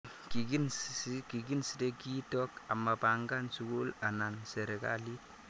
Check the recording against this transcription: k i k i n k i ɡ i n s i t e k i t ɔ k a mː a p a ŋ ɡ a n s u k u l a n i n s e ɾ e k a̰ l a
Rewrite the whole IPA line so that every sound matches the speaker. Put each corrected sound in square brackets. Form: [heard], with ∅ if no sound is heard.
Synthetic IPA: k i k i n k i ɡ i n s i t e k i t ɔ k a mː a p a ŋ ɡ a n s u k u l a n [a] n s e ɾ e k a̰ l [i]